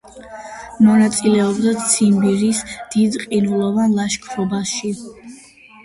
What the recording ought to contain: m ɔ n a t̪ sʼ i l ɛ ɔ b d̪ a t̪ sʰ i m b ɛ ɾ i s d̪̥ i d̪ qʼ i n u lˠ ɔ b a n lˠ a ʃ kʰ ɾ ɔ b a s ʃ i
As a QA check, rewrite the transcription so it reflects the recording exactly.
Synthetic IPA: m ɔ n a t̪ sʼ i l ɛ ɔ b d̪ a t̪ sʰ i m b i ɾ i s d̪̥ i d̪ qʼ i n u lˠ ɔ v a n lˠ a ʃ kʰ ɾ ɔ b a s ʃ i